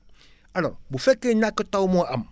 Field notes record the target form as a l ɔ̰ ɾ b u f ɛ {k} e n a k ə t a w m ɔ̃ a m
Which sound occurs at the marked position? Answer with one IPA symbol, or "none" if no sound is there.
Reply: k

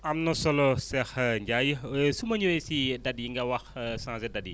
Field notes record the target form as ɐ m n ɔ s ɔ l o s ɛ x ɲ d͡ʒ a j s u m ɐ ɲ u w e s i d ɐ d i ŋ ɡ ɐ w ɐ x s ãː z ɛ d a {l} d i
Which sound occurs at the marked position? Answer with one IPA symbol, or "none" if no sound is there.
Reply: none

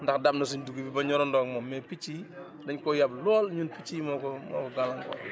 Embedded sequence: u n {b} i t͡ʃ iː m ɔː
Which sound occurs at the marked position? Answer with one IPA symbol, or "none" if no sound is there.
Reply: p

